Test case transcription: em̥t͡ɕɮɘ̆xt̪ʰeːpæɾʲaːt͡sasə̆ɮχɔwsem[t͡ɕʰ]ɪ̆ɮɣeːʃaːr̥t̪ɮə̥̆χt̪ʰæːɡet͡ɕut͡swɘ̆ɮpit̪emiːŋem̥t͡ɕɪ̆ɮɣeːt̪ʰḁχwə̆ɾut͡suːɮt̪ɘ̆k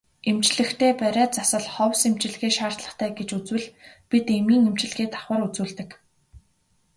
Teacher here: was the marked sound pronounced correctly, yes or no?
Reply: no